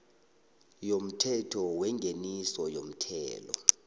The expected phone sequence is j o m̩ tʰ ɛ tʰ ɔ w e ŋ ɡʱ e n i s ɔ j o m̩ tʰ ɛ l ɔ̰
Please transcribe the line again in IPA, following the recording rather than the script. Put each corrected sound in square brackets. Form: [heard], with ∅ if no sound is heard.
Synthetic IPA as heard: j o m̩ tʰ ɛ tʰ ɔ w [ɛ] ŋ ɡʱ e n i s ɔ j o m̩ tʰ [ɛː] l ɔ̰